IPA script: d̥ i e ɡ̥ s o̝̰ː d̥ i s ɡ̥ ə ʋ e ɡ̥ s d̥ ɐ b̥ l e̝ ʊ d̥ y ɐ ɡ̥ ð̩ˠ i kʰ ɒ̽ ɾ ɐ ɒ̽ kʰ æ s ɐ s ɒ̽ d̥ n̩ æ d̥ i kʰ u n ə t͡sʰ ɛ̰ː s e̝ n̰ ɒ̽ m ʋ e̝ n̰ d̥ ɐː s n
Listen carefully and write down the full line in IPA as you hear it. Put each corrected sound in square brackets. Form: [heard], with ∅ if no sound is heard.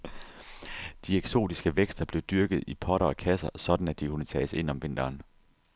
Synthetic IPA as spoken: d̥ i e ɡ̥ s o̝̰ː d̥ i s ɡ̥ ə ʋ e ɡ̥ s d̥ ɐ b̥ l e̝ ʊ d̥ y ɐ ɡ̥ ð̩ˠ i [pʰ] ɒ̽ ɾ ɐ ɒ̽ kʰ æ s ɐ s ɒ̽ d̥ n̩ æ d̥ i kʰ u n ə t͡sʰ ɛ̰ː s e̝ n̰ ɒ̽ m ʋ e̝ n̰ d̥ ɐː [∅] n